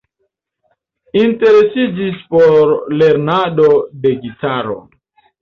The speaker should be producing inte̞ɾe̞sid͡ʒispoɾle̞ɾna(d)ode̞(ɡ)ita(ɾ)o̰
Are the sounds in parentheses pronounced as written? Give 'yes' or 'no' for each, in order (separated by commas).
yes, yes, yes